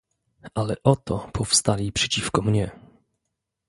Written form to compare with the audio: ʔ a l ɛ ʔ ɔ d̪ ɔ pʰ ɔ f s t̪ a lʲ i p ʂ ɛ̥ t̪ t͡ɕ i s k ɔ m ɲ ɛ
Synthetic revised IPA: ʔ a l ɛ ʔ ɔ t̪ ɔ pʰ ɔ f s t̪ a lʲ i p ʂ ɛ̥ t͡ɕ i f k ɔ m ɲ ɛ